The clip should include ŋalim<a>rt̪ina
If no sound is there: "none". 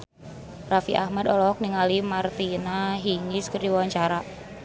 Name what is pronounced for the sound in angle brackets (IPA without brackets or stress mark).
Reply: a